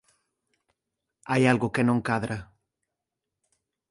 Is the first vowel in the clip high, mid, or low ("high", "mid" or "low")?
low